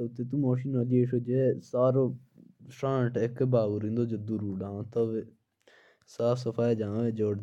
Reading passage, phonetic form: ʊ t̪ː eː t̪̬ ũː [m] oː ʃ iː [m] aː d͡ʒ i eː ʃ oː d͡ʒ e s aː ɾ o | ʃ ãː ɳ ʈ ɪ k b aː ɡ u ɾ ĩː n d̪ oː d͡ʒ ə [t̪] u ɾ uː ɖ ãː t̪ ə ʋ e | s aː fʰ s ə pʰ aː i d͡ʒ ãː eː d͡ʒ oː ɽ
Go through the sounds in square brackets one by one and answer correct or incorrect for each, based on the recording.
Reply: correct, incorrect: n, incorrect: d̪

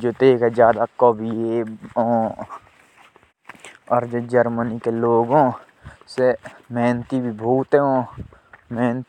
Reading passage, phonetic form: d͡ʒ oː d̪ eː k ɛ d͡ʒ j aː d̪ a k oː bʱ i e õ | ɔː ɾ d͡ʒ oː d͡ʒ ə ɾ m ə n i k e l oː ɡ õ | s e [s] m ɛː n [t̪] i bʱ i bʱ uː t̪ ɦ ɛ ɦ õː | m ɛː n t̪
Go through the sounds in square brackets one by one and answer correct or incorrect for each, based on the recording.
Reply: incorrect: none, correct

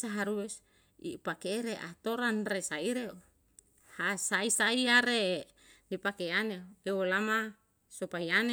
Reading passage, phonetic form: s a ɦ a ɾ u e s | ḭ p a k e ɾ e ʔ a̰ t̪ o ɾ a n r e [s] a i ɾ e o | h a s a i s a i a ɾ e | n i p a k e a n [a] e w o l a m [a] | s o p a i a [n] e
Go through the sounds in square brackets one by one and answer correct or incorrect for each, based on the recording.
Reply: correct, incorrect: e, correct, correct

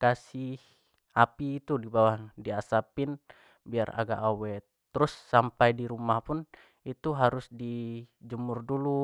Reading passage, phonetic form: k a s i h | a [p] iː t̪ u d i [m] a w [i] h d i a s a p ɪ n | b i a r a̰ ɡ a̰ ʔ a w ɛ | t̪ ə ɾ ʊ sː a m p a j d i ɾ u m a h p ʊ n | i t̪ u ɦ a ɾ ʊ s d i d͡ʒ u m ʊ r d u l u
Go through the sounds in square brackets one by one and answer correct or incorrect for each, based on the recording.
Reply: correct, incorrect: b, incorrect: a

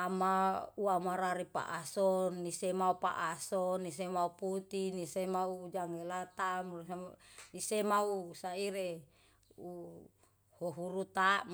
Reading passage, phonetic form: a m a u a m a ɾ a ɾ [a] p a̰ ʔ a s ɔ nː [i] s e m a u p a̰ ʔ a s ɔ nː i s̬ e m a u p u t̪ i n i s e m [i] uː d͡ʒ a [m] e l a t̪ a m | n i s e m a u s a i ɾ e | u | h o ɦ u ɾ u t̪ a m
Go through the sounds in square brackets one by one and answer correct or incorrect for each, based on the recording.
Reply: incorrect: i, correct, incorrect: a, incorrect: ŋ

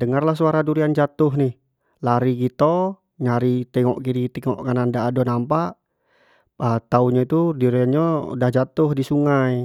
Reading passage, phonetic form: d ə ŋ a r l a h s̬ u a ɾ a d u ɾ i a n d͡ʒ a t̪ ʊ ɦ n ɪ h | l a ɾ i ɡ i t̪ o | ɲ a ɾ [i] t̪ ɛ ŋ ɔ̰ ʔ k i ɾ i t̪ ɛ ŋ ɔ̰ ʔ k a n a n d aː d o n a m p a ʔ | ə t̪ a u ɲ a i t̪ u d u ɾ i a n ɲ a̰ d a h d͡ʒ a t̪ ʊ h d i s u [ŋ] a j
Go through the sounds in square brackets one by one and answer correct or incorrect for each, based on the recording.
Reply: correct, correct

